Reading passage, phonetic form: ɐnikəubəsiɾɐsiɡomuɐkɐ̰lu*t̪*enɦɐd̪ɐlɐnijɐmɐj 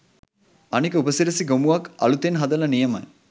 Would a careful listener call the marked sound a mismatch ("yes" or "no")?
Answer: no